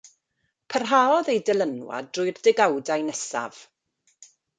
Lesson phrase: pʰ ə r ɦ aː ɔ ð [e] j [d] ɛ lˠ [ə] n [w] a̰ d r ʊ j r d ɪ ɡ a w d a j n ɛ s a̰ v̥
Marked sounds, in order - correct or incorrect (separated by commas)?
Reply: correct, correct, correct, correct